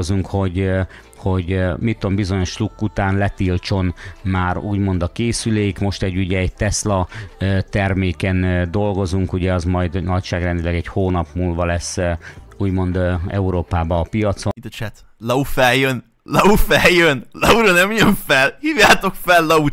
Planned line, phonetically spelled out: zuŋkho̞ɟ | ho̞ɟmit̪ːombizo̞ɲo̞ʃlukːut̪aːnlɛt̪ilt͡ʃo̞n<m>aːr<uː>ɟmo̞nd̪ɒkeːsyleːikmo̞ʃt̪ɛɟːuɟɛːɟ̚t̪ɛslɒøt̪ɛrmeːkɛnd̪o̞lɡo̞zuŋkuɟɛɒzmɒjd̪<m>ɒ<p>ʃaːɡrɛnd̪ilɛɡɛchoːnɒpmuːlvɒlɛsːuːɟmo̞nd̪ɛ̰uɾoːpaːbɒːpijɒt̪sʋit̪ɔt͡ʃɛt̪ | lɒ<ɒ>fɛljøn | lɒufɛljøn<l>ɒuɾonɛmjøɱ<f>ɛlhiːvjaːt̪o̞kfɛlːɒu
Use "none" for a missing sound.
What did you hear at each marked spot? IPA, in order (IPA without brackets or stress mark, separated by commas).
m, uː, n, c, u, l, f